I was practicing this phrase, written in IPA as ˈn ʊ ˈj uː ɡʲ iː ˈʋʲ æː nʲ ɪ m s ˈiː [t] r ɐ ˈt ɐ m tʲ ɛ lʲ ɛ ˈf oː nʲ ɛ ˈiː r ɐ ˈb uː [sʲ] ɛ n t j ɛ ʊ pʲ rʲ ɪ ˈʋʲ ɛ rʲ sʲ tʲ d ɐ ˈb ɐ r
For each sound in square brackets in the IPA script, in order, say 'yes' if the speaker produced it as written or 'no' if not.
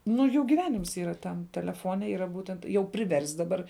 no, no

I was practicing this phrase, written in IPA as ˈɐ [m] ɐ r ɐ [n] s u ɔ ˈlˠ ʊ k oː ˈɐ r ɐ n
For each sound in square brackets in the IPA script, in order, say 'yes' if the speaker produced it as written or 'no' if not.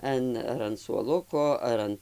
no, yes

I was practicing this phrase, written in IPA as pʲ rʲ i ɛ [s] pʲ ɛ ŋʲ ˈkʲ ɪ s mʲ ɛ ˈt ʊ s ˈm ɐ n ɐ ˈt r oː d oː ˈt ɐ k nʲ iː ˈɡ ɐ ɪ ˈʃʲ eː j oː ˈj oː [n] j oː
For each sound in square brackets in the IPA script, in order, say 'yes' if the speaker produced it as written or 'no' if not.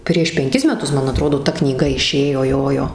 no, no

